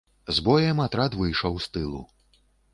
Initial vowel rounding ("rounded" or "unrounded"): rounded